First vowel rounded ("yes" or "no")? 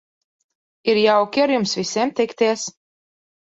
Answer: no